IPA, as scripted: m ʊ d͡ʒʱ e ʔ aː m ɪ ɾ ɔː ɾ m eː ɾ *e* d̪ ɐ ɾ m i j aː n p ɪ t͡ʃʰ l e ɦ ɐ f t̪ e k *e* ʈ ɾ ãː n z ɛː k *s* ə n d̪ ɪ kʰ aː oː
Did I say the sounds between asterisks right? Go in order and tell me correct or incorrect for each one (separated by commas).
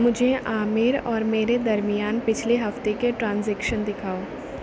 correct, correct, incorrect